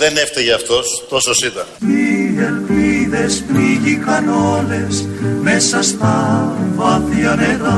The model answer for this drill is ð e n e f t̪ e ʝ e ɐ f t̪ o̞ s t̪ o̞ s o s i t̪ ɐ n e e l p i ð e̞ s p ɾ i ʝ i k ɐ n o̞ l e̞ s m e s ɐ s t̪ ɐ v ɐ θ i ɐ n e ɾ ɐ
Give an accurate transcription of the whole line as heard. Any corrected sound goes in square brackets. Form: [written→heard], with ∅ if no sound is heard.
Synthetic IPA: ð e n e f t̪ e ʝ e ɐ f t̪ o̞ s t̪ o̞ s o s i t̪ ɐ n [e→i] e l p i ð e̞ s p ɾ i ʝ i k ɐ n o̞ l e̞ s m e s ɐ s t̪ ɐ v ɐ θ i ɐ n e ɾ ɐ